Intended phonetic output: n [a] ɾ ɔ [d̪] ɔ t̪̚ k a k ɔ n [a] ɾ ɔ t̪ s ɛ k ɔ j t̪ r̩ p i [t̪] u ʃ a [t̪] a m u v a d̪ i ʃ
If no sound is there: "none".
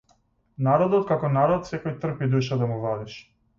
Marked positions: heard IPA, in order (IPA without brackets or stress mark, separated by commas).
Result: a, d̪, a, d̪, d̪